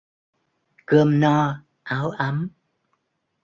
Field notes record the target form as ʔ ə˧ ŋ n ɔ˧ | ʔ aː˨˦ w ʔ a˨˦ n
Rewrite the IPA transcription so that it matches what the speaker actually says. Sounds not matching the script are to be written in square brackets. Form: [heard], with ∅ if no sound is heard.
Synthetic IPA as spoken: [k] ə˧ [m] n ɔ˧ | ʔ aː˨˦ w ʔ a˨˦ [m]